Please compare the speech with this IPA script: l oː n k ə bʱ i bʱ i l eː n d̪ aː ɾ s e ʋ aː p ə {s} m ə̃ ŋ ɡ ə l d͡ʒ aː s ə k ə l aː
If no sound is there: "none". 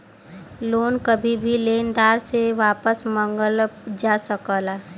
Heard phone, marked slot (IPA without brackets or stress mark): s